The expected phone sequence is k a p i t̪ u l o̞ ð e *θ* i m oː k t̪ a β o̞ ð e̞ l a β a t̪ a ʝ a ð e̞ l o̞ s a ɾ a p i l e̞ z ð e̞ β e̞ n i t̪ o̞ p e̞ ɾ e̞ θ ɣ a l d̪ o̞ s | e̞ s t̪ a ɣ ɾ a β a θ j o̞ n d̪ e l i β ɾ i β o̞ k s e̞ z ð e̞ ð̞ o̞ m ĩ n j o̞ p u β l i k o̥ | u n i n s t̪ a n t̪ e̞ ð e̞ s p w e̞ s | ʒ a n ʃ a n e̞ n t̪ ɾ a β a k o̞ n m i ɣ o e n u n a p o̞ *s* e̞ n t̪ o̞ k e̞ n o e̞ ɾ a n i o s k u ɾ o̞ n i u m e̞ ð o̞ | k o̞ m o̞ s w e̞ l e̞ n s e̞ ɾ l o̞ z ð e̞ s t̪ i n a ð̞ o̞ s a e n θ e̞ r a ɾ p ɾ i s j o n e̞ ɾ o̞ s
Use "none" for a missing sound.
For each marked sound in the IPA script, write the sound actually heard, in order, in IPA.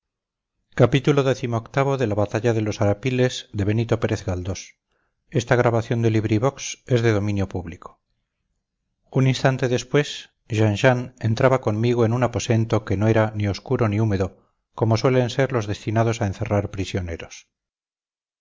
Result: θ, s

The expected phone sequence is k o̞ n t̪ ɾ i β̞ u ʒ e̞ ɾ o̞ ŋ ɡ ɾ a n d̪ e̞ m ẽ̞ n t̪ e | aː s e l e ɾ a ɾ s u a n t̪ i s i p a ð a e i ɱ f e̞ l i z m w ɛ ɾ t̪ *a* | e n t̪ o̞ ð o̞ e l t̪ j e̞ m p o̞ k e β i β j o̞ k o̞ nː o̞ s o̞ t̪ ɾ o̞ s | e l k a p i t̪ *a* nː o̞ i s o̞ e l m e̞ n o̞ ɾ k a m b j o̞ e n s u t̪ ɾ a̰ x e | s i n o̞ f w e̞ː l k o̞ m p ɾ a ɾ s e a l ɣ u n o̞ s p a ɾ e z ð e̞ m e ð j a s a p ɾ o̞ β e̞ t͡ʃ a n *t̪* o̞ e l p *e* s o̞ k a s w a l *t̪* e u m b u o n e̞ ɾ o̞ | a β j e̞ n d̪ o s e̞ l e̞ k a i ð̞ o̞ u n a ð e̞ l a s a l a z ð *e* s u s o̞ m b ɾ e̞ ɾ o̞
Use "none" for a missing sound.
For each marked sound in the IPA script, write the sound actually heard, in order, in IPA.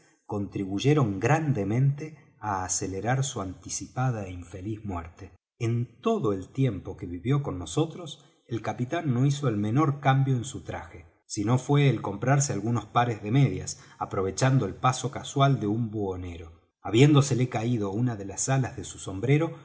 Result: e, a, d̪, a, d̪, e

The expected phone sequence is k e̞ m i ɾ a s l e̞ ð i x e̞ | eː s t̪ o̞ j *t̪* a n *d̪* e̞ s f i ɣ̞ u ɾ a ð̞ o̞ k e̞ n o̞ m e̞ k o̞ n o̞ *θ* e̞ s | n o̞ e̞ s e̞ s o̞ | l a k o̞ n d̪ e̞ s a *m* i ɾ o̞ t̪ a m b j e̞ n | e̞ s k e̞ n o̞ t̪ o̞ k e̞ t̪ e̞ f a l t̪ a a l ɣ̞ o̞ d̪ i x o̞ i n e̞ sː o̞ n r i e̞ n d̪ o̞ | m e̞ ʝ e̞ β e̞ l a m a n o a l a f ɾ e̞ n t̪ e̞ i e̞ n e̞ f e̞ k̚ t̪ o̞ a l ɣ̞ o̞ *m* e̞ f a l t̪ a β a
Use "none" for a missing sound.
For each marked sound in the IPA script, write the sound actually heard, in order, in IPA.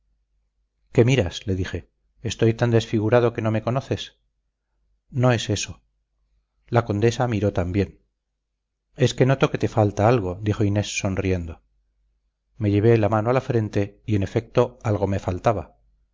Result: t̪, d̪, θ, m, m

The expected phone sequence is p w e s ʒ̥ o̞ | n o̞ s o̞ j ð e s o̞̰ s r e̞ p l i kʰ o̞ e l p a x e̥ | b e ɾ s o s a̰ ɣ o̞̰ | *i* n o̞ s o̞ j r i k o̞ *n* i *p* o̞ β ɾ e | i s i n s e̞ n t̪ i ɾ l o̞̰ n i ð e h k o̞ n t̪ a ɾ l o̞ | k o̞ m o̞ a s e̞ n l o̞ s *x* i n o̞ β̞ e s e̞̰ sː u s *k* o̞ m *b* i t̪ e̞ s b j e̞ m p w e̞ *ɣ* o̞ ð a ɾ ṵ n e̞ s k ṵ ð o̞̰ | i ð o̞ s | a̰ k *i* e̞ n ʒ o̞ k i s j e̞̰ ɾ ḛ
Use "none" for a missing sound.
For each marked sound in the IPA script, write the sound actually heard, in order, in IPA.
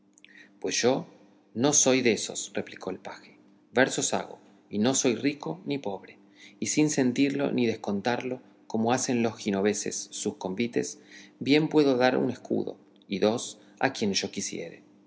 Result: i, n, p, x, k, b, ð, j

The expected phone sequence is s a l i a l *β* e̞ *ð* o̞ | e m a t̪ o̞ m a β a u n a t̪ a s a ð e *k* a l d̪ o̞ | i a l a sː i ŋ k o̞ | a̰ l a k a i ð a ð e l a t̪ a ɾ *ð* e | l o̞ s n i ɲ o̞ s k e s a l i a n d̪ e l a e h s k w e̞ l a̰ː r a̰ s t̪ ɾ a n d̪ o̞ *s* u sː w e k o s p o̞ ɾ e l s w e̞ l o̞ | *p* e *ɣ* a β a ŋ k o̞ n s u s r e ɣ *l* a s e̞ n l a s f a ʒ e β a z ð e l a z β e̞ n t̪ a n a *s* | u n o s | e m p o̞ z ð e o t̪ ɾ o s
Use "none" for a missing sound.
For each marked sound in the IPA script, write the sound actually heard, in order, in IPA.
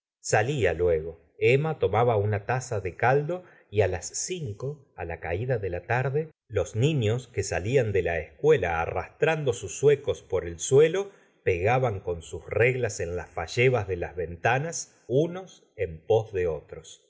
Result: w, ɣ, k, ð, s, p, ɣ, l, s

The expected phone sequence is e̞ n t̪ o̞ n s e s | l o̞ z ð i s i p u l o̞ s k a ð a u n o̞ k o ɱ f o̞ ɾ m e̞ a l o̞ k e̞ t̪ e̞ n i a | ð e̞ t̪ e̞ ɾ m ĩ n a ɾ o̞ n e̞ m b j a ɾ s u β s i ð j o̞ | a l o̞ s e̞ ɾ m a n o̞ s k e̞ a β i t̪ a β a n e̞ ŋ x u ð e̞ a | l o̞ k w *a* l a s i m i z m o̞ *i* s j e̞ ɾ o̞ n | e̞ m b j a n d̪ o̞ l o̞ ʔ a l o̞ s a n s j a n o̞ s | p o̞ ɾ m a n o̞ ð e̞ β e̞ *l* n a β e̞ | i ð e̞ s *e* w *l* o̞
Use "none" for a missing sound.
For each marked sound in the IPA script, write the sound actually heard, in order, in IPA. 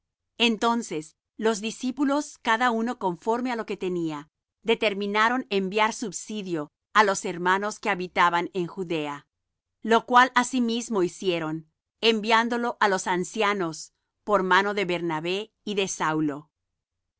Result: a, i, ɾ, a, l

